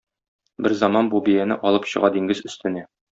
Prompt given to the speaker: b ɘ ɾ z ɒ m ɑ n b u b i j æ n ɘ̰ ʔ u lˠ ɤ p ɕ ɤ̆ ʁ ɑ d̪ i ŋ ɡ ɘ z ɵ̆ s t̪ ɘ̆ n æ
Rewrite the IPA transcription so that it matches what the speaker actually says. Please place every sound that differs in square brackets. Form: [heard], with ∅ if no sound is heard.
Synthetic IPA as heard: b ɘ ɾ z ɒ m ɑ n b u b i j æ n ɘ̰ ʔ [ɒ] lˠ ɤ p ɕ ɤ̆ ʁ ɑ d̪ i ŋ ɡ ɘ z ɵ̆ s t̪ ɘ̆ n æ